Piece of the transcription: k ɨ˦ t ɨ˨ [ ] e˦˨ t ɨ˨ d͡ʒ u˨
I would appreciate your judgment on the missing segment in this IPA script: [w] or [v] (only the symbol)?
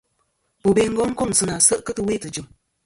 w